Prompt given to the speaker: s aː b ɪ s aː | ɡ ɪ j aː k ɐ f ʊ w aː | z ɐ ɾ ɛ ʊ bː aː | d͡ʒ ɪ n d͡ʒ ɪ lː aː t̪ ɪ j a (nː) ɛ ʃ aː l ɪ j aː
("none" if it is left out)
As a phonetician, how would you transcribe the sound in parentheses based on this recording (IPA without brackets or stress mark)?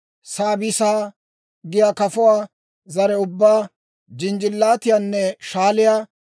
nː